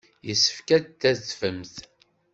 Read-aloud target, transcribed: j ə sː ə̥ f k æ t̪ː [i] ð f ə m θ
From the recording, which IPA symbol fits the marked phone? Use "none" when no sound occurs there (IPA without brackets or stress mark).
æ